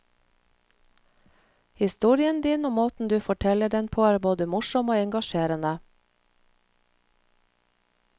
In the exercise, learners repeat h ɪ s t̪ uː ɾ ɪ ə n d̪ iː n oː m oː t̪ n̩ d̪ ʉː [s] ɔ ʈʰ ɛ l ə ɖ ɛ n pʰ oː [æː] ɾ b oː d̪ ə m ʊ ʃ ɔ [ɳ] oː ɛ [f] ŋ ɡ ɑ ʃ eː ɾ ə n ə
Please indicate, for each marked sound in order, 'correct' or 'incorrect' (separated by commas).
incorrect, correct, incorrect, incorrect